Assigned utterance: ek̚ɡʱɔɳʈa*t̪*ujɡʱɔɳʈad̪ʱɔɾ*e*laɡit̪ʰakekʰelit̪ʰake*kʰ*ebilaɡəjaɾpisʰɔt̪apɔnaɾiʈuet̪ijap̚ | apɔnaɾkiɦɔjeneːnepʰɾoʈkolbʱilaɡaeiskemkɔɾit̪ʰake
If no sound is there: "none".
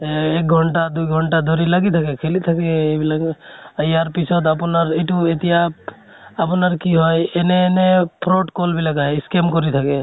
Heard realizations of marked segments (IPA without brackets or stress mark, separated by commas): d̪, i, none